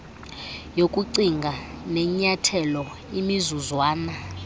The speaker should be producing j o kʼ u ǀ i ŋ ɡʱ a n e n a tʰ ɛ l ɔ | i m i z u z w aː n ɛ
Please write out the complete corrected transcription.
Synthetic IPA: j o kʼ u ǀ i ŋ ɡʱ a n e ɲ a tʰ ɛ l ɔ | i m i z u z w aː n a